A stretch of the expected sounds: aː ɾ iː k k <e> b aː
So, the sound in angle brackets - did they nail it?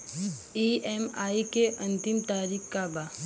no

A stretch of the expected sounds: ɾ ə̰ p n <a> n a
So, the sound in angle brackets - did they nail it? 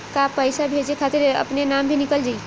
no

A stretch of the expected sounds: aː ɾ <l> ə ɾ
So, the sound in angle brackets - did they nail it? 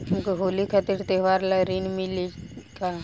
yes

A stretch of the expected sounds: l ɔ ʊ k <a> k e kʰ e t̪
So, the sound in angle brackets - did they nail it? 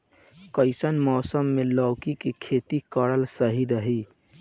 no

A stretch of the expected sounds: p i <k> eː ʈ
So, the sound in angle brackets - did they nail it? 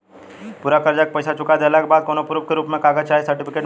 yes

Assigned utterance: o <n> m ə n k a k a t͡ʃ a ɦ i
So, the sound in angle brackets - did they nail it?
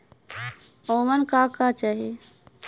no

